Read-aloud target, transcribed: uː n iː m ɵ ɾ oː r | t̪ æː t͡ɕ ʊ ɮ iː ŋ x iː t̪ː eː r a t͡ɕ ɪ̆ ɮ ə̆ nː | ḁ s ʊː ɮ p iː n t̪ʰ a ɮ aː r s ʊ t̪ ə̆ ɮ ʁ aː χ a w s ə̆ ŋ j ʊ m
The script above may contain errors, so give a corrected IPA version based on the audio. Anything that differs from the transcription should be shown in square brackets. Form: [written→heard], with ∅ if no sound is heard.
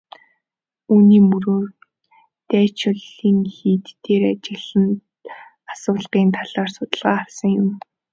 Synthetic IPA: uː n iː m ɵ ɾ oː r | t̪ æː t͡ɕ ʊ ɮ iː ŋ x iː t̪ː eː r a t͡ɕ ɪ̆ ɮ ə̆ [nː→n] | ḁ s ʊː ɮ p iː n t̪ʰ a ɮ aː r s ʊ t̪ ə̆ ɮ ʁ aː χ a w s ə̆ ŋ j ʊ m